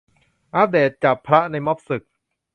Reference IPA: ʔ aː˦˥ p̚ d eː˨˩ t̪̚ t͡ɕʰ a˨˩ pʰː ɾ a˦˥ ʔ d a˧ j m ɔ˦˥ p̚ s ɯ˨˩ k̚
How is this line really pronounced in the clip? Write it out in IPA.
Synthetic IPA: ʔ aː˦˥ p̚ d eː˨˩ t̪̚ t͡ɕ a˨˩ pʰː ɾ a˦˥ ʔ n a˧ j m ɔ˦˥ p̚ s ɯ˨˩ k̚